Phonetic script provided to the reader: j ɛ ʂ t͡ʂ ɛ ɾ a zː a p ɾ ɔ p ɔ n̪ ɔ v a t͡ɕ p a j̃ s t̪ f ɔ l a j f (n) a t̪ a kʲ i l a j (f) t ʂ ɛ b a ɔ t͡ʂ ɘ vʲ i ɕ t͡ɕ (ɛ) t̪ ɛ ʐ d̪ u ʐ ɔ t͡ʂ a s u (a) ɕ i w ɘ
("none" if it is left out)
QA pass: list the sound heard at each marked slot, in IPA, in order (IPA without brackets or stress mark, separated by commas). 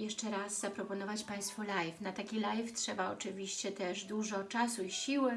n, f, ɛ, i